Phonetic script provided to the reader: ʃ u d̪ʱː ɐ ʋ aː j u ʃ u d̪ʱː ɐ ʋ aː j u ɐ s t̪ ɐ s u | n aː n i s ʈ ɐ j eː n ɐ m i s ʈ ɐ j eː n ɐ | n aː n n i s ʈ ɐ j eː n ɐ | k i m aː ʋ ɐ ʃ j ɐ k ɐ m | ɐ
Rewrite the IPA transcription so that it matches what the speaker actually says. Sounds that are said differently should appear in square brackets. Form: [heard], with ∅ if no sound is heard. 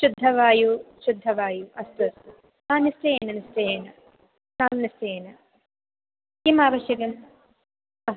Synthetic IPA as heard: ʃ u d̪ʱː ɐ ʋ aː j u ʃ u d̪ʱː ɐ ʋ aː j u ɐ s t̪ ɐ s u | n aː n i s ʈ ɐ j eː n ɐ [n] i s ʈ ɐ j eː n ɐ | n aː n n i s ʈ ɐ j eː n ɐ | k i m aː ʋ ɐ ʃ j ɐ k ɐ m | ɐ